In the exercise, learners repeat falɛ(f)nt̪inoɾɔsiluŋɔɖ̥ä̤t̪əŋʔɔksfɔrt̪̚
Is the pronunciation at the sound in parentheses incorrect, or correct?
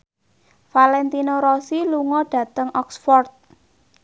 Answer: incorrect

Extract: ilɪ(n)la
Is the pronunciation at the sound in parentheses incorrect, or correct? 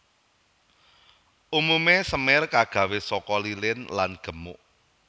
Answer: correct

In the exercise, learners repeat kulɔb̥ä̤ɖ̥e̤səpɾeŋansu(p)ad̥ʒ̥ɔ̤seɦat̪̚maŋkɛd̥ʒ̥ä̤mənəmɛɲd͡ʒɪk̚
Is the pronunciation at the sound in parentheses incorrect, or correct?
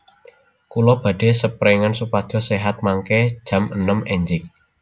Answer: correct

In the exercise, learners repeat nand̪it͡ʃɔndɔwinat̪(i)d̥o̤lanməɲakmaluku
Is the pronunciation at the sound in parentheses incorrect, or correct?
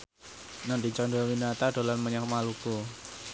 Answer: incorrect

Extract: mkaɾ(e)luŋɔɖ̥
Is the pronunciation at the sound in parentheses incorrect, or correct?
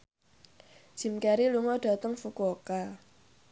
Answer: incorrect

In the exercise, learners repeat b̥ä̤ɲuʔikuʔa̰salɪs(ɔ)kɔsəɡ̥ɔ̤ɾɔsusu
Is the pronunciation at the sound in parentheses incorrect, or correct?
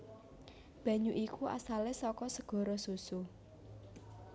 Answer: correct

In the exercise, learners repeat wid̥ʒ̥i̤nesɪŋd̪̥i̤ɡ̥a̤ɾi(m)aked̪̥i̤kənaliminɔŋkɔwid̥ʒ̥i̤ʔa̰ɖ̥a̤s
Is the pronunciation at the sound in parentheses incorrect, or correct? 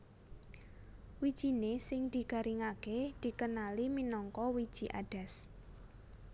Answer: incorrect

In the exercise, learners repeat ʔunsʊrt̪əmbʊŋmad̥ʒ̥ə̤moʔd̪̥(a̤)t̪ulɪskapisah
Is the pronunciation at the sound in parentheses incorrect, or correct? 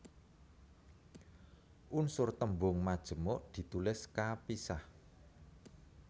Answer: incorrect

